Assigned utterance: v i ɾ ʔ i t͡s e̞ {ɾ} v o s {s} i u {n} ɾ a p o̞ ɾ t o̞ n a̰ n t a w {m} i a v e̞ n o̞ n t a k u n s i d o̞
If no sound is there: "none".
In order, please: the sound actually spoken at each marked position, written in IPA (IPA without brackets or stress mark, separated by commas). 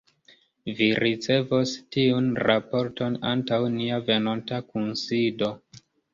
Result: none, t, n, n